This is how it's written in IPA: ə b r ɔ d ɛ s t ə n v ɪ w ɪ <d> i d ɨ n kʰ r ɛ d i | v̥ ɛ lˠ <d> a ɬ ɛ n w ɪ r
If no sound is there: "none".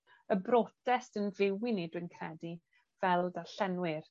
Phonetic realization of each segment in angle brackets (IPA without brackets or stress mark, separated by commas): n, d